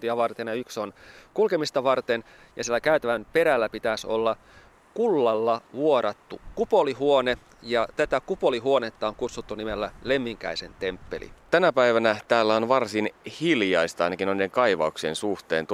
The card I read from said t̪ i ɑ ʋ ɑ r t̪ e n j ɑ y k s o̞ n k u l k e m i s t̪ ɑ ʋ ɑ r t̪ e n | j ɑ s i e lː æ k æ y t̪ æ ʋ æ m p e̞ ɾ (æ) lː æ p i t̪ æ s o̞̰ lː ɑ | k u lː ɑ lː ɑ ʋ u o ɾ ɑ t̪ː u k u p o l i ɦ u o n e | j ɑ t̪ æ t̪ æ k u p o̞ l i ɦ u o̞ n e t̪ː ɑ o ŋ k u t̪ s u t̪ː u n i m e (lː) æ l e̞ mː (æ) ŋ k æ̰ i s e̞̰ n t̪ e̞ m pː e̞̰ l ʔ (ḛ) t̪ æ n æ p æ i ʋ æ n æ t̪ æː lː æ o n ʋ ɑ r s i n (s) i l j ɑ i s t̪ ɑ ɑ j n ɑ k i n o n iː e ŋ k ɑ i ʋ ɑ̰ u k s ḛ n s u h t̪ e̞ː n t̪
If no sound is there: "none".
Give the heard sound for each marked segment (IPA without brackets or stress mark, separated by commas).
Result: æ, lː, i, ḭ, h